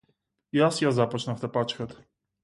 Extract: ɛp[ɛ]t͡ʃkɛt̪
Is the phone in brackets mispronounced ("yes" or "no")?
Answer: yes